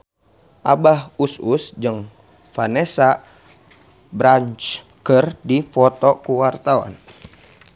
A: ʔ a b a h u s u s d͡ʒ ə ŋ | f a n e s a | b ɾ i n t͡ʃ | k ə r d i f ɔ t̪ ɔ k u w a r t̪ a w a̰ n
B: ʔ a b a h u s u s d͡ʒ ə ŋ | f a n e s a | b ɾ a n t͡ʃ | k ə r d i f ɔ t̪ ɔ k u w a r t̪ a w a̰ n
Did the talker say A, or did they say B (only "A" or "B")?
B